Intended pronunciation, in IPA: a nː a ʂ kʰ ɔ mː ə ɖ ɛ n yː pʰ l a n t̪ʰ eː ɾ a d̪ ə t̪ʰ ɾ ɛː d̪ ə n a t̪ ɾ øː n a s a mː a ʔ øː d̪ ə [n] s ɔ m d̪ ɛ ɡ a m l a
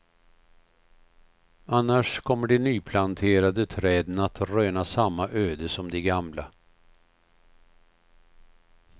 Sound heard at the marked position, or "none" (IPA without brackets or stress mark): none